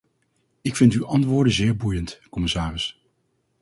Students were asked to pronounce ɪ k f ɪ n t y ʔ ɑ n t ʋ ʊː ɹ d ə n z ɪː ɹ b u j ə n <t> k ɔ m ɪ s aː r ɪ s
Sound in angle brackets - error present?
no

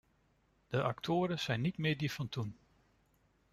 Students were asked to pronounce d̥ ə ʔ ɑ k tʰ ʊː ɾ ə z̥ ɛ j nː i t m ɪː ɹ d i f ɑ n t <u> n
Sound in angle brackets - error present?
no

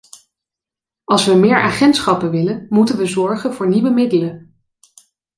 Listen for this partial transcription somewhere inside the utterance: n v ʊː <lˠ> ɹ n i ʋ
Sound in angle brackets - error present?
yes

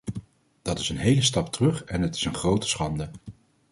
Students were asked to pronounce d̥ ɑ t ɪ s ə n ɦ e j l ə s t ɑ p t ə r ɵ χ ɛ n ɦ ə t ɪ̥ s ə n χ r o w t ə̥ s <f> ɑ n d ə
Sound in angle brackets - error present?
yes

